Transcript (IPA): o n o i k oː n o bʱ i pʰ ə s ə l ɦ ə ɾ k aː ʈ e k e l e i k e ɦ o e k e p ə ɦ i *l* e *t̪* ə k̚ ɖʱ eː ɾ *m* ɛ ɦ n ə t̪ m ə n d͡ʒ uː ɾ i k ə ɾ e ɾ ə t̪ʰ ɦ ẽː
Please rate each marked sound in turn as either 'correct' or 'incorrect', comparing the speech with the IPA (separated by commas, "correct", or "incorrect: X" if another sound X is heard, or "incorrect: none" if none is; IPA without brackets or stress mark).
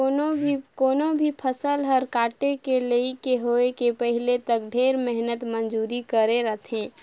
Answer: correct, correct, correct